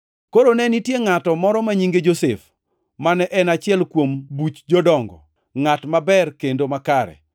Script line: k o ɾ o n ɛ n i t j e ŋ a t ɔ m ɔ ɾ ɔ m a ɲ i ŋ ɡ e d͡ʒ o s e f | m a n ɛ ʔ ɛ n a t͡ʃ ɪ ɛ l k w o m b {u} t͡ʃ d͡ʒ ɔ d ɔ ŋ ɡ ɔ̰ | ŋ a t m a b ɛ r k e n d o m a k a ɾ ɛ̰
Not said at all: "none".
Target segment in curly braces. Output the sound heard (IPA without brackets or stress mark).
u